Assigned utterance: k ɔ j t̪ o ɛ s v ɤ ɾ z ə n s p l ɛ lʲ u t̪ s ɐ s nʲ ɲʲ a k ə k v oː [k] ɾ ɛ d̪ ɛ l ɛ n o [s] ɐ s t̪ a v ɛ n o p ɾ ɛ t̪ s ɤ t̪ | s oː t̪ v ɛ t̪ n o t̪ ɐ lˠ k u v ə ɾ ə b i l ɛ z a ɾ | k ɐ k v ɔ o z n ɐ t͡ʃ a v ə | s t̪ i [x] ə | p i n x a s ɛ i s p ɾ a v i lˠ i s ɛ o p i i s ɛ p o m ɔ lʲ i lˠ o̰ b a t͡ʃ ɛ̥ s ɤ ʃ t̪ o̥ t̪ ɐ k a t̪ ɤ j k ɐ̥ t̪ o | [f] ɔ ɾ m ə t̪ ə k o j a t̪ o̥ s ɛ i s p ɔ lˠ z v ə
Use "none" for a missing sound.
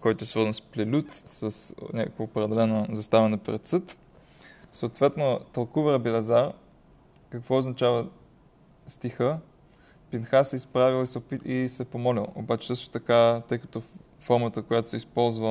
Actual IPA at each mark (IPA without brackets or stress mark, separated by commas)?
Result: p, z, x, f